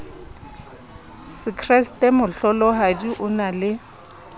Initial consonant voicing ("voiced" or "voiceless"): voiceless